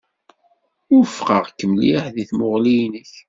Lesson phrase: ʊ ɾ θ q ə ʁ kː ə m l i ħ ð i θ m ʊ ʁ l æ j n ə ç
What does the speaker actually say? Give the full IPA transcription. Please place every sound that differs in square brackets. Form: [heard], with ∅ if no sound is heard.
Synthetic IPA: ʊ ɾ [f] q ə ʁ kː ə m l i ħ ð i θ m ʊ ʁ l [i] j n ə ç